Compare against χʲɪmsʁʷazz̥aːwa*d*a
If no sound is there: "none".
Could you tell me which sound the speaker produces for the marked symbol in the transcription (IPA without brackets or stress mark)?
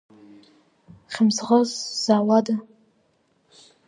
d